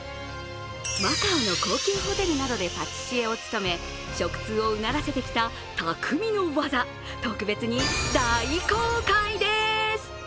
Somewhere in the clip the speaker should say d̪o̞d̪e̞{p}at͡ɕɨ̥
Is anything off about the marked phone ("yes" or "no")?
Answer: no